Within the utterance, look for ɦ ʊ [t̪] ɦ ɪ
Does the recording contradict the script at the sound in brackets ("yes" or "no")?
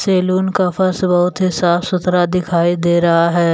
no